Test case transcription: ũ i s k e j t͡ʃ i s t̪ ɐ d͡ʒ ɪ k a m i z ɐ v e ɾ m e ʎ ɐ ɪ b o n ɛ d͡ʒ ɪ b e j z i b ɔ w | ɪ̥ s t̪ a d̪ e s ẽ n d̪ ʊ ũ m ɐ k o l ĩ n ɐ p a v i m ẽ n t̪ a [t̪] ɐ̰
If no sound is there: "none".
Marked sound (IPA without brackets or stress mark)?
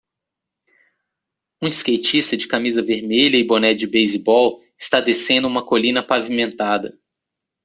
d̪